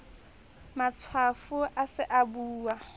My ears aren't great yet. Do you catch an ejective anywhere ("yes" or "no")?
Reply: no